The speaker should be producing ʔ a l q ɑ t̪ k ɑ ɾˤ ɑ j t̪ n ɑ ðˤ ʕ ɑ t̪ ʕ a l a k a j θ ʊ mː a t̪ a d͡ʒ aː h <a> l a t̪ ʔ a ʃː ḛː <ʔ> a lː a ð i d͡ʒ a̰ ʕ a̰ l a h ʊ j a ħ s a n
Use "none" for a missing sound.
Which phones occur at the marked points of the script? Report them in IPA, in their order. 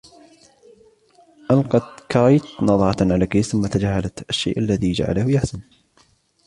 a, ʔ

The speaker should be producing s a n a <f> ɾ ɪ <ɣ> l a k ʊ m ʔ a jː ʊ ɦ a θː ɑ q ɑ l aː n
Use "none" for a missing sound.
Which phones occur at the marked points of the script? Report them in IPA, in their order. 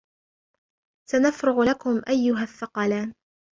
f, ɣ

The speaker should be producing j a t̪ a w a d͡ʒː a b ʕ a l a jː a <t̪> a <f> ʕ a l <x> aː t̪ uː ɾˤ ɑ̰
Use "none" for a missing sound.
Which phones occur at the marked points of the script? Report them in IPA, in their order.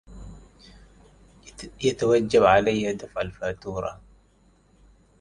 d̪, f, f

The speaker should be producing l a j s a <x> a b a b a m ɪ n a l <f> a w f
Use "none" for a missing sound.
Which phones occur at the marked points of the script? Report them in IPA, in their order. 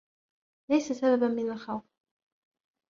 s, x

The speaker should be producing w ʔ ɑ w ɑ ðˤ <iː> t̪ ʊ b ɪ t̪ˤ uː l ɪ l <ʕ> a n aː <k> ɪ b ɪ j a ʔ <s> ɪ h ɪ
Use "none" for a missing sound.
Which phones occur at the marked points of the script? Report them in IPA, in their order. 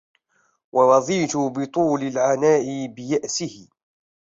iː, ʕ, ʔ, s

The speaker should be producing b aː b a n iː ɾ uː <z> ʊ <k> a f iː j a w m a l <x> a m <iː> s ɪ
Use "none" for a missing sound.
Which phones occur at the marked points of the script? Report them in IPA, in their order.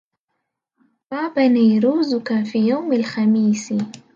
z, k, x, iː

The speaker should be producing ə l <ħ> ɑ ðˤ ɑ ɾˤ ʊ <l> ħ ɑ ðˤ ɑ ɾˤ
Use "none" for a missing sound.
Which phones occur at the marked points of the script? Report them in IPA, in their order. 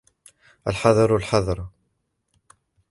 ħ, l

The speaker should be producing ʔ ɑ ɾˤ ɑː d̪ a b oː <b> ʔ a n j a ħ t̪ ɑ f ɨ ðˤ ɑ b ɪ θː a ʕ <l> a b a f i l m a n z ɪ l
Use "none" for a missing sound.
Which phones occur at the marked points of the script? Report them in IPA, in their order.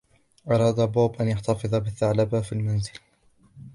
b, l

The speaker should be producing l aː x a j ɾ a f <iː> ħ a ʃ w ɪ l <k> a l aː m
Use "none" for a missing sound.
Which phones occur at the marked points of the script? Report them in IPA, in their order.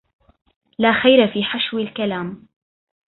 iː, k

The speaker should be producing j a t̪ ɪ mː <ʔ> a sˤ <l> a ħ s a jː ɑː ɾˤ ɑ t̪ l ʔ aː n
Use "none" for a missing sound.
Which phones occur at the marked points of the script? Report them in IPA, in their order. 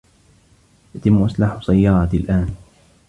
ʔ, l

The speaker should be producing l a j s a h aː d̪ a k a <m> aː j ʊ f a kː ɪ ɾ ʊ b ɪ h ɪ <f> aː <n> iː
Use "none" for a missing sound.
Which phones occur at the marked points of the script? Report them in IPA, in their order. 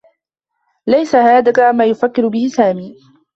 m, s, m

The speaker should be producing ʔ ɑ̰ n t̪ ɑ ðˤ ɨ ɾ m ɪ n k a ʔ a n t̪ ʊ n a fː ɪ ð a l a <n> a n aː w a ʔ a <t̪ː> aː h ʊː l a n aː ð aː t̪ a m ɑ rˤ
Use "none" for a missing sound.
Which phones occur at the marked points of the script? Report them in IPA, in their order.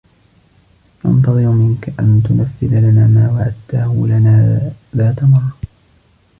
n, t̪ː

